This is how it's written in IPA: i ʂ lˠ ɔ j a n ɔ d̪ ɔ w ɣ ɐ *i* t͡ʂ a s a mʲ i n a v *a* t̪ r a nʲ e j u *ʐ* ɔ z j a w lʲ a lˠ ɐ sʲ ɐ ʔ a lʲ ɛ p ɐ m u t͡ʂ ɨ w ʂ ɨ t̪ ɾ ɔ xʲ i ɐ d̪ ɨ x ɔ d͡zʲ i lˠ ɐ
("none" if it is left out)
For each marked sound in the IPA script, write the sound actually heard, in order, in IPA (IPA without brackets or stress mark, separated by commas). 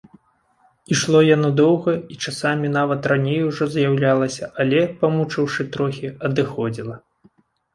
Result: i, ɐ, ʐ